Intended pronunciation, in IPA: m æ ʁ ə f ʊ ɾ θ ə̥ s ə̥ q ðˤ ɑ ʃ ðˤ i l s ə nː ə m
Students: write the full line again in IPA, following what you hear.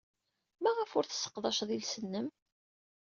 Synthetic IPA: m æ ʁ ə f ʊ ɾ θ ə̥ s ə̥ q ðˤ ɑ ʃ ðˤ i l s ə nː ə m